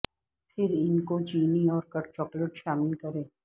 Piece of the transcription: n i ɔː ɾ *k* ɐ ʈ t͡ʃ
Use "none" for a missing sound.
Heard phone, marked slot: k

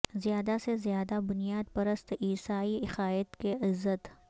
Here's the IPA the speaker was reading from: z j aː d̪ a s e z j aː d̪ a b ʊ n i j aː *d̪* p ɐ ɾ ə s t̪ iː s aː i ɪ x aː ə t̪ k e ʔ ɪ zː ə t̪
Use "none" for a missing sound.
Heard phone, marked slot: d̪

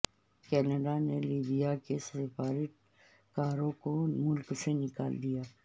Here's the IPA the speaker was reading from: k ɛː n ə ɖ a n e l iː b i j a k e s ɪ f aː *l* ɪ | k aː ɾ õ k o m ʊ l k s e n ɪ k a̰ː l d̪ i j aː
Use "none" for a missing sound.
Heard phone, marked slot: ɾ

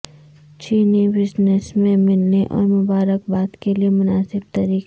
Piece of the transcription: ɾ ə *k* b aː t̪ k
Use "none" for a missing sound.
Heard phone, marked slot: k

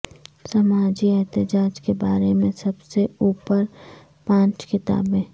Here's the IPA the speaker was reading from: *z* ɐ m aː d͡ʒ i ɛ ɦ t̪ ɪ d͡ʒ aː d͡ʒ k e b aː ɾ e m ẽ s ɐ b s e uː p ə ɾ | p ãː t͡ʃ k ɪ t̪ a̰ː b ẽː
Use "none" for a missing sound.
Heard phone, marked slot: s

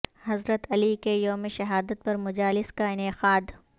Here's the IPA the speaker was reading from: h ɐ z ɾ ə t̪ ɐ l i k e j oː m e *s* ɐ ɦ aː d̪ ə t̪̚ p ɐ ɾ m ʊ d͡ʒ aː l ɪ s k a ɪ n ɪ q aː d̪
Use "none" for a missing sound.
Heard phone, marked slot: ʃ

